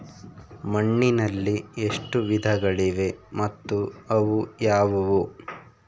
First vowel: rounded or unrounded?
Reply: unrounded